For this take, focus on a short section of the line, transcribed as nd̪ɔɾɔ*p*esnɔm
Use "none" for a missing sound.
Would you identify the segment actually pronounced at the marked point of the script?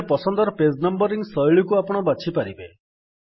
p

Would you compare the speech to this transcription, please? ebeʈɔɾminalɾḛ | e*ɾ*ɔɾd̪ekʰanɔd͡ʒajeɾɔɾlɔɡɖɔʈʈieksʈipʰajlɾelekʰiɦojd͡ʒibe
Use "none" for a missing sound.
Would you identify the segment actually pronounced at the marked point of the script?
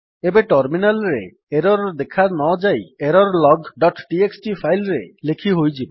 ɾ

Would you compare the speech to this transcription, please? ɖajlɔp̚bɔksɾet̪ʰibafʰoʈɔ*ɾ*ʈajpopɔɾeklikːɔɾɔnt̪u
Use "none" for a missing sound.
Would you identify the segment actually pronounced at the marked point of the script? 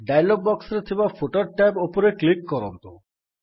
ɾ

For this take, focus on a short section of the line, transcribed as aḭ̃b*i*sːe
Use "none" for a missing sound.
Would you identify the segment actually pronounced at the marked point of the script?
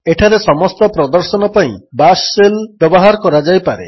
a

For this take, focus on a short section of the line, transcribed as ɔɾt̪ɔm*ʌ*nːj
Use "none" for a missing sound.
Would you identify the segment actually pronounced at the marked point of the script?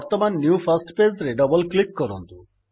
a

